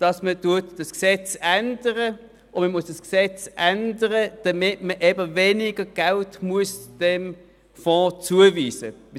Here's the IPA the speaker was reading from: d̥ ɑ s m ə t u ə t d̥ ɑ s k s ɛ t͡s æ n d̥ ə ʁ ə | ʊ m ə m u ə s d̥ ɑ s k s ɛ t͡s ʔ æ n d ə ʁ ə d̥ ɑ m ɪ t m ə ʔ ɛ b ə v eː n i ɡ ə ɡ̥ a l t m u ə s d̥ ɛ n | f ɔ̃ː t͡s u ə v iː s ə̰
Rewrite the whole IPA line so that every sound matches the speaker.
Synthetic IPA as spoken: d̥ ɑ s m ə t u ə t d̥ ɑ s k s ɛ t͡s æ n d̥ ə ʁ ə | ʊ m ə m u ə s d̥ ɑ s k s ɛ t͡s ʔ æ n d ə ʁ ə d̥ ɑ m ɪ t m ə ʔ ɛ b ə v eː n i ɡ ə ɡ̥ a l t m u ə s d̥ ɛ m | f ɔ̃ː t͡s u ə v iː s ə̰